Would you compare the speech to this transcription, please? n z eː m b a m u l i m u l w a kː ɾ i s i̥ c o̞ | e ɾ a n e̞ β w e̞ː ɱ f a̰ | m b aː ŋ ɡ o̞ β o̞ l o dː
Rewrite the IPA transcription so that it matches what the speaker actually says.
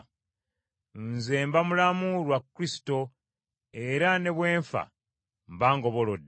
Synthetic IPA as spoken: n z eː m b a m u l a m u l w a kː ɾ i s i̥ t o̞ | e ɾ a n e̞ β w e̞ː ɱ f a̰ | m b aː ŋ ɡ o̞ β o̞ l o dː